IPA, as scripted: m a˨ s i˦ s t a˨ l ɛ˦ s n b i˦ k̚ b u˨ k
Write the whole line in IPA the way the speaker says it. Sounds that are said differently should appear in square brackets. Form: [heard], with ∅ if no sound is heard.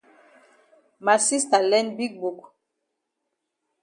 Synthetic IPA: m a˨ s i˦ s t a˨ l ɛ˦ [∅] n b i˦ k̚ b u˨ k